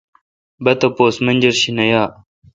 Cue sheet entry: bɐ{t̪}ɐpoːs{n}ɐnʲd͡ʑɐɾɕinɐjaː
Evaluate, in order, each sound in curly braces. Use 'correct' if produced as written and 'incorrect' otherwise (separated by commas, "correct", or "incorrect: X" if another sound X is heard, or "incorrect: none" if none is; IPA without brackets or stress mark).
correct, incorrect: m